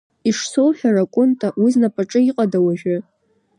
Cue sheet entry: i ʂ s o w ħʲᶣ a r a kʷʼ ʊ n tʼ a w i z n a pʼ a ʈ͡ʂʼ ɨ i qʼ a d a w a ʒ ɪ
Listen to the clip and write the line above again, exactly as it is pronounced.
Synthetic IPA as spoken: i ʂ s o w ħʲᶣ a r a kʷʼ ʊ n tʼ a w i z n a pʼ a ʈ͡ʂʼ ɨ i qʼ a d a w a ʒ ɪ